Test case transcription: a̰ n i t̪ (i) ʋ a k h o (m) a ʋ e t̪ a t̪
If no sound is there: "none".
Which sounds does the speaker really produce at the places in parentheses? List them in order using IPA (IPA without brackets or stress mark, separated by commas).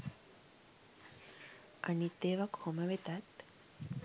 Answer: e, m